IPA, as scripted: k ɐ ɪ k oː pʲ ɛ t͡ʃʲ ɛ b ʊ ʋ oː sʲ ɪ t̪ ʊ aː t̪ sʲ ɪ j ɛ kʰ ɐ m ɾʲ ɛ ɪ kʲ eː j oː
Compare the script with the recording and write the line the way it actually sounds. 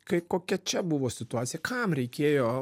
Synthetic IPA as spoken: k ɐ ɪ k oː kʲ ɛ t͡ʃʲ ɛ b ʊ ʋ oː sʲ ɪ t̪ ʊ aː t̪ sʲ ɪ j ɛ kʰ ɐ m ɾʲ ɛ ɪ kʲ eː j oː